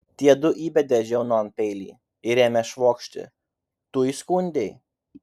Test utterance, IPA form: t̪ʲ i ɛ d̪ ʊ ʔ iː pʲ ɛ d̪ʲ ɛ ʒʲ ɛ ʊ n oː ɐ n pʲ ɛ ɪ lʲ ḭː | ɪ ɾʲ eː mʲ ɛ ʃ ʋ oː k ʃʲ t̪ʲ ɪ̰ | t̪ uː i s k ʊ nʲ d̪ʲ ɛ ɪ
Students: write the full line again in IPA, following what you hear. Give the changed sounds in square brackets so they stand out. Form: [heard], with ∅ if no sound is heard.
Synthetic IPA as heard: t̪ʲ i ɛ d̪ ʊ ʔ iː [bʲ] ɛ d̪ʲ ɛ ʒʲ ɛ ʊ n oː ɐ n pʲ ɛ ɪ lʲ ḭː | ɪ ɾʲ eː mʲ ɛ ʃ ʋ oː k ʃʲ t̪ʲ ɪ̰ | t̪ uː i s k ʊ nʲ d̪ʲ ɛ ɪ

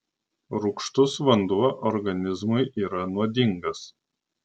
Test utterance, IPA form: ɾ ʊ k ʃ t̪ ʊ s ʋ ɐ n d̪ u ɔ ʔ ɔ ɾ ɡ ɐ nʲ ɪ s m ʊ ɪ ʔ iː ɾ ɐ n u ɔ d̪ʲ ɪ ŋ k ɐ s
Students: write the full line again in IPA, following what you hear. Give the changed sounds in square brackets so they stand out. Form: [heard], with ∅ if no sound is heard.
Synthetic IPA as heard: ɾ ʊ k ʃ t̪ ʊ s ʋ ɐ n d̪ u ɔ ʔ ɔ ɾ ɡ ɐ nʲ ɪ [z] m ʊ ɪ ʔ iː ɾ ɐ n u ɔ d̪ʲ ɪ ŋ [ɡ] ɐ s

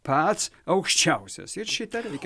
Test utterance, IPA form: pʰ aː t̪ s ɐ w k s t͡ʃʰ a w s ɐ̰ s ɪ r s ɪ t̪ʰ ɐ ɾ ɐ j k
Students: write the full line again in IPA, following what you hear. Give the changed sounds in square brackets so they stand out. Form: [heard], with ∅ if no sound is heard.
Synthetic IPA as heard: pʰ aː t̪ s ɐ w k [ʃ] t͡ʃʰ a w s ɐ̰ s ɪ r [ʃ] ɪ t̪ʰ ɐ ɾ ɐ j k

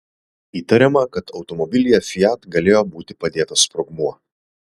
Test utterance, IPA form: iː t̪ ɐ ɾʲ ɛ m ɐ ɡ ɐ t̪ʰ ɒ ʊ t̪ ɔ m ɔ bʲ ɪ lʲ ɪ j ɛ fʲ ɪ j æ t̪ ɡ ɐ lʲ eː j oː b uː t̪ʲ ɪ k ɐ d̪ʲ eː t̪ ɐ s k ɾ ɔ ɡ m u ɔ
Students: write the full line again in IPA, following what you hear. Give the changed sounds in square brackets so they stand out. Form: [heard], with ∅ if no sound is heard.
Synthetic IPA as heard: iː t̪ ɐ ɾʲ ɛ m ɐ [k] ɐ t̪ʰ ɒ ʊ t̪ ɔ m ɔ bʲ ɪ lʲ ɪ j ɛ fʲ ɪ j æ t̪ ɡ ɐ lʲ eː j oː b uː t̪ʲ ɪ [p] ɐ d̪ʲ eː t̪ ɐ s [p] ɾ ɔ ɡ m u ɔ

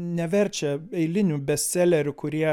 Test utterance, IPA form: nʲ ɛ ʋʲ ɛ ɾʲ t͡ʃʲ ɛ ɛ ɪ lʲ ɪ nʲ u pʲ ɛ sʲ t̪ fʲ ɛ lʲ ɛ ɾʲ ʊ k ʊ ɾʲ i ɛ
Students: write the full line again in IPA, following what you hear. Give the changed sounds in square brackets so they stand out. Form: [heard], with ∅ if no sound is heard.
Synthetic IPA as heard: nʲ ɛ ʋʲ ɛ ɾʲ t͡ʃʲ ɛ ɛ ɪ lʲ ɪ nʲ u [bʲ] ɛ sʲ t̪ [sʲ] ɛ lʲ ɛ ɾʲ ʊ k ʊ ɾʲ i ɛ

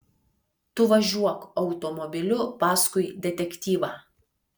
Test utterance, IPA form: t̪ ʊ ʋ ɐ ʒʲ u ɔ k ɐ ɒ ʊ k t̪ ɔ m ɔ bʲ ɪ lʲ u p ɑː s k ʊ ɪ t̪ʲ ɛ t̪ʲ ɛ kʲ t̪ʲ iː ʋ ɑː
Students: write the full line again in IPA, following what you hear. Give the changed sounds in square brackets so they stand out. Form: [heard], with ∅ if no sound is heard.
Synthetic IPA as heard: t̪ ʊ ʋ ɐ ʒʲ u ɔ k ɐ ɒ ʊ [∅] t̪ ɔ m ɔ bʲ ɪ lʲ [ʊ] p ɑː s k ʊ ɪ [d̪ʲ] ɛ t̪ʲ ɛ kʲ t̪ʲ iː ʋ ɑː

